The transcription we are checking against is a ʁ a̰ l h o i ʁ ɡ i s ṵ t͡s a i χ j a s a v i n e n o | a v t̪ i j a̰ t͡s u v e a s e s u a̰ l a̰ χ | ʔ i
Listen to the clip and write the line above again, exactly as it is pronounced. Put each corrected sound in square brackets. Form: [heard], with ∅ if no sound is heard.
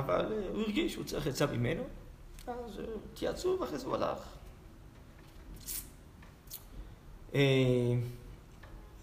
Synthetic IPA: a [v] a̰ l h [u] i ʁ ɡ i [ʃ] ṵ t͡s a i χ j a [t͡s] a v i [m] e n o | a [z] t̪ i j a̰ t͡s u v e a [χ] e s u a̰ l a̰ χ | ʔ [e]